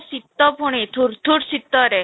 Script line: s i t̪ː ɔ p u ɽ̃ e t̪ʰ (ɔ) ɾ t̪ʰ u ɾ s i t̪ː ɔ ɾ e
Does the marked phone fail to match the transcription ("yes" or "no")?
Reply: yes